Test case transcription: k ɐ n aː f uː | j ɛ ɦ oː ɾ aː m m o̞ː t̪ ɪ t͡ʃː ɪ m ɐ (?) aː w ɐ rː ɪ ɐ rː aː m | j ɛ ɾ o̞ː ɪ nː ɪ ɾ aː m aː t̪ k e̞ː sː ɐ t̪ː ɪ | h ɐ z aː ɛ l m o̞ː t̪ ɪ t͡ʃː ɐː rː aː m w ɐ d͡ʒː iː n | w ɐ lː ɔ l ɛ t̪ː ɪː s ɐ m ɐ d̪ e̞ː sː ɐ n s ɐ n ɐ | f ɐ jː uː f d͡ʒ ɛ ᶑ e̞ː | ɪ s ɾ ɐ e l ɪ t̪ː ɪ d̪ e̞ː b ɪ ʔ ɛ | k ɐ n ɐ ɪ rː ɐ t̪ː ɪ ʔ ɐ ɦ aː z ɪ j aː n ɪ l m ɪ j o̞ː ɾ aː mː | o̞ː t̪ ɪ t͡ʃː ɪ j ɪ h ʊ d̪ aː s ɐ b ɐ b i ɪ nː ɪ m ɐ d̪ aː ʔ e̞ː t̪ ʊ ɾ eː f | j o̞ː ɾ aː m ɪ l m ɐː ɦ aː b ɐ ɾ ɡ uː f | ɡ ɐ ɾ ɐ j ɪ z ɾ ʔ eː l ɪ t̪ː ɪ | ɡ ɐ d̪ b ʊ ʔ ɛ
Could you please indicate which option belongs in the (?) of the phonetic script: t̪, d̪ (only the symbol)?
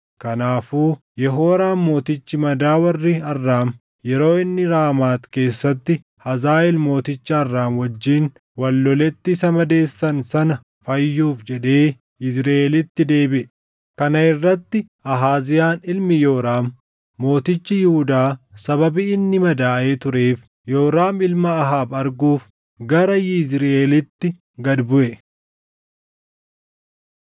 d̪